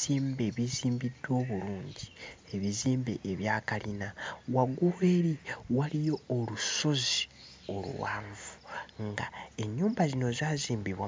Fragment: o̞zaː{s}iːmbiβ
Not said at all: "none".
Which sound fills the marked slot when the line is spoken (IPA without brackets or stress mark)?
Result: z